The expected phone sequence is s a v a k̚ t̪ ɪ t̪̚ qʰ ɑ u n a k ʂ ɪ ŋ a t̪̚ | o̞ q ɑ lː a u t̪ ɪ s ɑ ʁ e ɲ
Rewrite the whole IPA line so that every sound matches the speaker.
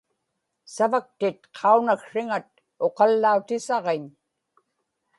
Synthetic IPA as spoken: s a v a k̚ t̪ ɪ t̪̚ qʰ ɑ u n a k ʂ ɪ ŋ a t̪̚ | o̞ q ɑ lː a u t̪ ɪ s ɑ ʁ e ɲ